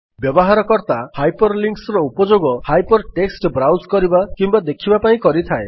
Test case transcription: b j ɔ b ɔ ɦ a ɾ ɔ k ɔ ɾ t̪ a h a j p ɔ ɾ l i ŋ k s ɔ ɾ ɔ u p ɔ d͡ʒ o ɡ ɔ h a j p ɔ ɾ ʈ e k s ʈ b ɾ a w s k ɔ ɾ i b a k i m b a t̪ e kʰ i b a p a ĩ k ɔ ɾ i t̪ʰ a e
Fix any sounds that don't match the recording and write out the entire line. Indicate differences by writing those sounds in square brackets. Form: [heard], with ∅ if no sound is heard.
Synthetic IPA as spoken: b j ɔ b ɔ ɦ a ɾ ɔ k ɔ ɾ t̪ a h a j p ɔ ɾ l i ŋ k s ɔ ɾ ɔ u p ɔ d͡ʒ o ɡ ɔ h a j p ɔ ɾ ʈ e k s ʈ b ɾ a w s k ɔ ɾ i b a k i m b a [d̪] e kʰ i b a p a ĩ k ɔ ɾ i t̪ʰ a e